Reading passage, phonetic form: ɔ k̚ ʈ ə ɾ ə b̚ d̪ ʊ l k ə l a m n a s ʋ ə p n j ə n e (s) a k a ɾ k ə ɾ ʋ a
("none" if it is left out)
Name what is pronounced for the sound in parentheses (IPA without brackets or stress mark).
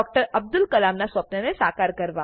s